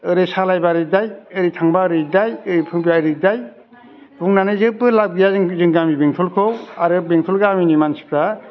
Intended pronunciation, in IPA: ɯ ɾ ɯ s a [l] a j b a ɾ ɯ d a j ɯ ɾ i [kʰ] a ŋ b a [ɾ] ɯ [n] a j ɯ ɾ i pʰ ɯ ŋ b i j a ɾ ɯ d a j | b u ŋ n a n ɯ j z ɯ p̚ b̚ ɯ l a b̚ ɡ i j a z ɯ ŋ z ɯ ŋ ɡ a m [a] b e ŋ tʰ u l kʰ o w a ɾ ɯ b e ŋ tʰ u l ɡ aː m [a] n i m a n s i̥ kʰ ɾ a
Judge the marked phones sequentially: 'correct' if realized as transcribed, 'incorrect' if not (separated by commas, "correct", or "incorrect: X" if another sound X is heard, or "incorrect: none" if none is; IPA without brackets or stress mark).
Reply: correct, incorrect: tʰ, correct, incorrect: d, incorrect: i, incorrect: i